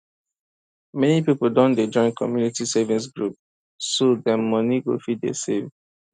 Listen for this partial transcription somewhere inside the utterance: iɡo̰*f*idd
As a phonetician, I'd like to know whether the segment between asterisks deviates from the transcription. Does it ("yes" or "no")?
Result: no